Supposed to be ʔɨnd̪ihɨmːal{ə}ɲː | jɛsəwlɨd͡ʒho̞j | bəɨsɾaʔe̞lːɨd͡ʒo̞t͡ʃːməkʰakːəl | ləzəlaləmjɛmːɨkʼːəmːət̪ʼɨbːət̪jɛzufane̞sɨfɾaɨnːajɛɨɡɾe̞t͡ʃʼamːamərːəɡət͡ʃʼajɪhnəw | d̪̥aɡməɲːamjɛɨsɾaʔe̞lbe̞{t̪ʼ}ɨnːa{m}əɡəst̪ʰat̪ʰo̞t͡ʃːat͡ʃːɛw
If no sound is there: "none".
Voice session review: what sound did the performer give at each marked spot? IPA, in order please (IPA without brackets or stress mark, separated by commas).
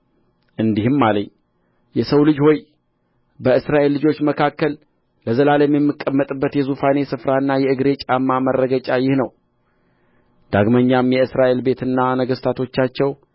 ə, t̪, n